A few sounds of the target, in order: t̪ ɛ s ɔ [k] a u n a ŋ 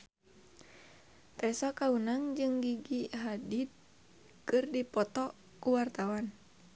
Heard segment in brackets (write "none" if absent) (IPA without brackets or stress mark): k